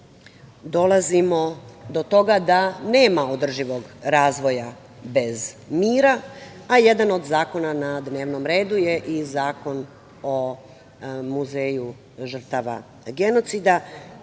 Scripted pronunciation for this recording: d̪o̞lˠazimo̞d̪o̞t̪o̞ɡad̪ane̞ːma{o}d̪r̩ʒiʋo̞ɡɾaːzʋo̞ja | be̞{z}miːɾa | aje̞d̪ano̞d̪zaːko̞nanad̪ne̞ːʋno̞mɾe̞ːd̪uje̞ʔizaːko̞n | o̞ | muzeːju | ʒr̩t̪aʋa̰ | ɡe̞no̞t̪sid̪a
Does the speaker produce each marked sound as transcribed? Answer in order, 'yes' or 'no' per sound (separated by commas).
yes, yes